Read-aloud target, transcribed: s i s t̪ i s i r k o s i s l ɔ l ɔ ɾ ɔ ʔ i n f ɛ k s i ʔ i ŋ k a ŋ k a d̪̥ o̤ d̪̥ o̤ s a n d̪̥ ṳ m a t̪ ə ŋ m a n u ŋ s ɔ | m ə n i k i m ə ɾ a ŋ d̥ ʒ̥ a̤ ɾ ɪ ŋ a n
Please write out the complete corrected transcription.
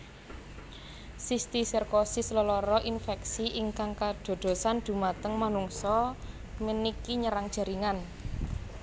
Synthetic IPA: s i s t̪ i s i r k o s i s l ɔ l ɔ ɾ ɔ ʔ i n f ɛ k s i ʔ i ŋ k a ŋ k a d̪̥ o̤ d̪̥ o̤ s a n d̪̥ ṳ m a t̪ ə ŋ m a n u ŋ s ɔ | m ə n i k i ɲ ə ɾ a ŋ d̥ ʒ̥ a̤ ɾ i ŋ a n